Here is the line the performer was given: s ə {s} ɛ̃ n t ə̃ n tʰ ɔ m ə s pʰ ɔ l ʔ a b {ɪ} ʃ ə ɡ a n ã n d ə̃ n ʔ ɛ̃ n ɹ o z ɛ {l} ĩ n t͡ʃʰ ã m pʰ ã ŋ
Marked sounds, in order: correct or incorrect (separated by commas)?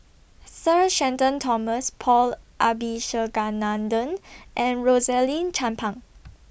incorrect, incorrect, correct